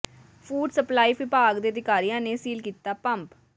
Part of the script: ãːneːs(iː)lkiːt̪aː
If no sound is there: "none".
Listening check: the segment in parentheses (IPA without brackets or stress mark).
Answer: iː